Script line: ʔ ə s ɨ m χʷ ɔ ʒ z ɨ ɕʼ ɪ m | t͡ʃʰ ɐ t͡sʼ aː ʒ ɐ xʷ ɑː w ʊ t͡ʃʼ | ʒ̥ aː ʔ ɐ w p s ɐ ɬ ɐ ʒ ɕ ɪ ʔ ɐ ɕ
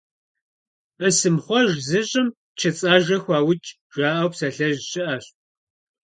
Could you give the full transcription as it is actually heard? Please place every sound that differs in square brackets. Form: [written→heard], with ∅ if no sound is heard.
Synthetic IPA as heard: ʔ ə s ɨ m χʷ ɔ ʒ z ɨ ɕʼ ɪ m | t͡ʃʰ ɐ t͡sʼ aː ʒ ɐ xʷ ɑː w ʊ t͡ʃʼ | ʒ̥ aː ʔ ɐ w p s ɐ ɬ ɐ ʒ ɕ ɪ ʔ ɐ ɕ